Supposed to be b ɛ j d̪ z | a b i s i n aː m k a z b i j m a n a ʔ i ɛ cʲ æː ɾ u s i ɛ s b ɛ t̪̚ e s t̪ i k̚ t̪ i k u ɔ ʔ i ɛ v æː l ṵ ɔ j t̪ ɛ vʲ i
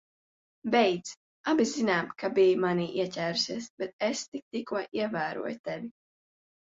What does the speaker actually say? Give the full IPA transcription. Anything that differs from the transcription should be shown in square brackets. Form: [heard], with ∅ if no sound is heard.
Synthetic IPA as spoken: b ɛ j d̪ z | a b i [z] i n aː m k a [∅] b i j m a n [i] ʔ i ɛ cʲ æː ɾ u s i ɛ s b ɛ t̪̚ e s t̪ i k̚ t̪ i k u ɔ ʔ i ɛ v æː [ɾ] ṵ ɔ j t̪ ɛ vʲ i